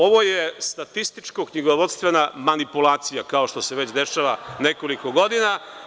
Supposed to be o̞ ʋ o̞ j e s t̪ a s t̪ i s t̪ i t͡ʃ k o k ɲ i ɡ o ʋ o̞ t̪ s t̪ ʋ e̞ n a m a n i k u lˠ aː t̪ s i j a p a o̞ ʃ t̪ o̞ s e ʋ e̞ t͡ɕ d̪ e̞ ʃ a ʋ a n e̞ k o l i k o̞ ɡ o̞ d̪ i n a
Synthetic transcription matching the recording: o̞ ʋ o̞ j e s t̪ a t̪ i s t̪ i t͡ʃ k o k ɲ i ɡ o ʋ o̞ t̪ s t̪ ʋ e̞ n a m a n i p u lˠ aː t̪ s i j a k a o̞ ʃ t̪ o̞ s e ʋ e̞ t͡ɕ d̪ e̞ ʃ a ʋ a n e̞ k o l i k o̞ ɡ o̞ d̪ i n a